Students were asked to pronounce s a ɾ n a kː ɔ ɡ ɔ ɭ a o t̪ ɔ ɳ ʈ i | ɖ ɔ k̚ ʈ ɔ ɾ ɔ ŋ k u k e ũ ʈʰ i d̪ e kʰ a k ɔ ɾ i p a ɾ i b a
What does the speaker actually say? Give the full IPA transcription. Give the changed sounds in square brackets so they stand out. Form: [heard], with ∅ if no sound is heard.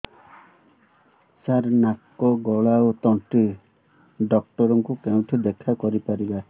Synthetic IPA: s a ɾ n a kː ɔ ɡ ɔ ɭ a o t̪ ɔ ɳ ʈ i | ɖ ɔ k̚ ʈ ɔ ɾ ɔ ŋ k u k e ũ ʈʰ i d̪ e kʰ a k ɔ ɾ i p a ɾ i b a